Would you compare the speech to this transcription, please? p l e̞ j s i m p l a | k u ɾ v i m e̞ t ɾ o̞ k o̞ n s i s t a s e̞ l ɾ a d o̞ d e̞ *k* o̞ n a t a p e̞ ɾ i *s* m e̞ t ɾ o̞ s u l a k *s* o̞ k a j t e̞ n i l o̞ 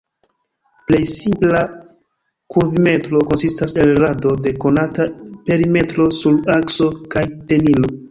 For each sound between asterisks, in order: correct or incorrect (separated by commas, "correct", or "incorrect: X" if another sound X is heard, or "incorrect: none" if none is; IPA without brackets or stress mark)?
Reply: correct, incorrect: none, correct